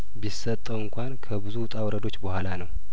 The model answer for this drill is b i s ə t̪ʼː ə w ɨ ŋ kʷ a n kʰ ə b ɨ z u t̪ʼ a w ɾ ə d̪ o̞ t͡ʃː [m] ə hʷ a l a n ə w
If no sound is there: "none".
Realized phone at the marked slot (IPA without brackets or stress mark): b